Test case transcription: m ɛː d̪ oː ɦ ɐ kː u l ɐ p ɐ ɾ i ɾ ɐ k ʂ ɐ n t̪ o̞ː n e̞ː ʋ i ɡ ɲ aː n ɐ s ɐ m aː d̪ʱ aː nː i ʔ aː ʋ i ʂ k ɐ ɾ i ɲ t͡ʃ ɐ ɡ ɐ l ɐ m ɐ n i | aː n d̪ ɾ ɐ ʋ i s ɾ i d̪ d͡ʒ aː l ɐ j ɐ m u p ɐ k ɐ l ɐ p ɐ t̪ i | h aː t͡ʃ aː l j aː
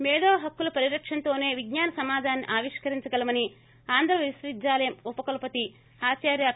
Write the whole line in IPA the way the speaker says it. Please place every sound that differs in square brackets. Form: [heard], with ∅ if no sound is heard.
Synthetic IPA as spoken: m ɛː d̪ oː ɦ ɐ kː u l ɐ p ɐ ɾ i ɾ ɐ k ʂ ɐ n t̪ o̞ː n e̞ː ʋ i ɡ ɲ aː n ɐ s ɐ m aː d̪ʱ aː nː i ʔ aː ʋ i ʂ k ɐ ɾ i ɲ t͡ʃ ɐ ɡ ɐ l ɐ m ɐ n i | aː n d̪ ɾ ɐ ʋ i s ɾ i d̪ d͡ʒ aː l ɐ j ɐ m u p ɐ k ɐ l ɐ p ɐ t̪ i | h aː t͡ʃ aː [ɾ] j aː